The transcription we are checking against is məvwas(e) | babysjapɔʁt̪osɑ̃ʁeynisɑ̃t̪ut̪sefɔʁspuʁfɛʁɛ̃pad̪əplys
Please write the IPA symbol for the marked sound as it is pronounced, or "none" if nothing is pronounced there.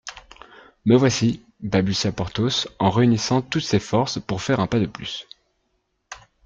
i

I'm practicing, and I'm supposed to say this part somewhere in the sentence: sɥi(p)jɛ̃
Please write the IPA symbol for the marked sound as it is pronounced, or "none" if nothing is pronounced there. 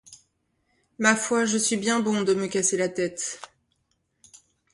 b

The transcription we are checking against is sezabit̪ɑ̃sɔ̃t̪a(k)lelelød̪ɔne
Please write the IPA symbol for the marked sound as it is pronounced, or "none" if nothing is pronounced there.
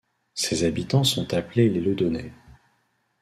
p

